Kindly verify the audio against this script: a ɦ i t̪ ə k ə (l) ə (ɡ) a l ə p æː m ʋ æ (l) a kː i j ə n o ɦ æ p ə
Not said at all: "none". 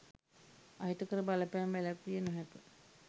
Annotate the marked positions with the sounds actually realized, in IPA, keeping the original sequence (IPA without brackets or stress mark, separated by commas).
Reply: ɾ, b, l